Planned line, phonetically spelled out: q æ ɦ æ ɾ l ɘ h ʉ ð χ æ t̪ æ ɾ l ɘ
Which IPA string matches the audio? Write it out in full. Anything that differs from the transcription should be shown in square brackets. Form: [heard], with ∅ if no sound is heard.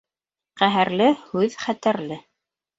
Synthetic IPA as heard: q æ ɦ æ ɾ l ɘ h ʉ ð χ æ t̪ æ ɾ l ɘ